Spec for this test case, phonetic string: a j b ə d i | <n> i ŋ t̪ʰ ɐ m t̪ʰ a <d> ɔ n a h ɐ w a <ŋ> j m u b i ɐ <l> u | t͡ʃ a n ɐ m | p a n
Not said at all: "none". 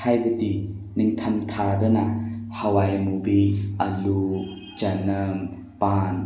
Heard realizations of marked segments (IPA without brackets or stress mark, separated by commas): n, d, none, l